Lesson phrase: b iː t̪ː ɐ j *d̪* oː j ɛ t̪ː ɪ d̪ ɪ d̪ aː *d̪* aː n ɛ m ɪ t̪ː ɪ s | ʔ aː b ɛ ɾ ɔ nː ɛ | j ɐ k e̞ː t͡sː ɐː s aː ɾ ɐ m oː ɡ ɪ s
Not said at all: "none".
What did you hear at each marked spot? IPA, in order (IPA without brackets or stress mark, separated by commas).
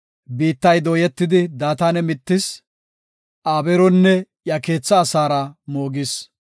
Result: d̪, t̪